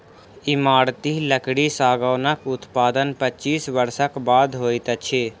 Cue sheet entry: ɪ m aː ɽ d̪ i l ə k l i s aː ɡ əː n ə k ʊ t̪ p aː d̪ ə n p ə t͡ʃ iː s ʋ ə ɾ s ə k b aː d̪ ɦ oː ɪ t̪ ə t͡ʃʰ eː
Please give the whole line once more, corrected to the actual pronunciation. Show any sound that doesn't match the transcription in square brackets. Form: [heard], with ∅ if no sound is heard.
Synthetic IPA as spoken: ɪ m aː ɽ [t̪] i l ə k [ɽ] i s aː ɡ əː n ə k ʊ t̪ p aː d̪ ə n p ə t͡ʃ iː s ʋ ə ɾ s ə k b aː d̪ ɦ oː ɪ t̪ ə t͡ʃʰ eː